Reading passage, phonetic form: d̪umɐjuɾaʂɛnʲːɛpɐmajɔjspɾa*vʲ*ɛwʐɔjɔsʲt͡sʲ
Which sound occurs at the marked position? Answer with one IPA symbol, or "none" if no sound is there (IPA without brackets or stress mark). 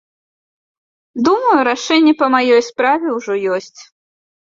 vʲ